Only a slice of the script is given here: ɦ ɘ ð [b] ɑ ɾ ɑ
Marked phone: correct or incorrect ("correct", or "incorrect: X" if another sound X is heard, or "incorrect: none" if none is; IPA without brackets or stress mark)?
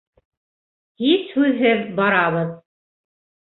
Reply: correct